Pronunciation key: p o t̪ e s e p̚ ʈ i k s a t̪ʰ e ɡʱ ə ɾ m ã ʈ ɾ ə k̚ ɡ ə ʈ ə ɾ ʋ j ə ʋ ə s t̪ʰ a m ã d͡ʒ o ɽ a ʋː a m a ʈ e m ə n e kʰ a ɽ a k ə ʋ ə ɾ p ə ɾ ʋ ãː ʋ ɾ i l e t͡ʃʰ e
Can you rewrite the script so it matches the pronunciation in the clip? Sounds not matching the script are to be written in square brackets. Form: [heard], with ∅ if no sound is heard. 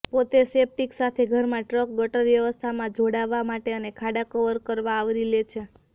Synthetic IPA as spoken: p o t̪ e s e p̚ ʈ i k s a t̪ʰ e ɡʱ ə ɾ m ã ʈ ɾ ə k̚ ɡ ə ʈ ə ɾ ʋ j ə ʋ ə s t̪ʰ a m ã d͡ʒ o ɽ a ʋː a m a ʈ e [∅] ə n e kʰ a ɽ a k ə ʋ ə ɾ [k] ə ɾ ʋ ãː ʋ ɾ i l e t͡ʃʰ e